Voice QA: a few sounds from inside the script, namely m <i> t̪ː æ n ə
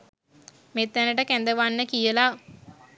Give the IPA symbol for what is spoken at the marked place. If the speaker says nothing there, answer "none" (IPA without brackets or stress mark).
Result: e